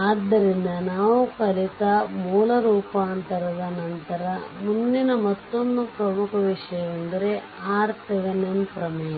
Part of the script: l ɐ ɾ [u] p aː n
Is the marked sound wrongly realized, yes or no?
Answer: yes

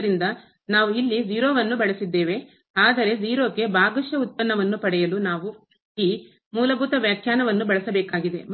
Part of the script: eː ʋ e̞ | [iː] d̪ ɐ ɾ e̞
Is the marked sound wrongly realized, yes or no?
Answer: yes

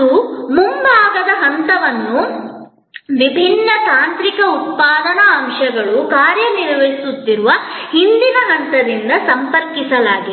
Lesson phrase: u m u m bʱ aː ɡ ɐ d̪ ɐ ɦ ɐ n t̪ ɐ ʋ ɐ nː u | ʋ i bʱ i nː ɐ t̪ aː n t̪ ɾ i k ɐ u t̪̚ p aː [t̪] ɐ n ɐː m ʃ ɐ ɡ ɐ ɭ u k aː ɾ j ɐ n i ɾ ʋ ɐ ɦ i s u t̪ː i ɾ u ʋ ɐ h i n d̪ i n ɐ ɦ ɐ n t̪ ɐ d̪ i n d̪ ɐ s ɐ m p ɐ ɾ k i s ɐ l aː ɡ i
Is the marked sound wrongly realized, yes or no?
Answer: yes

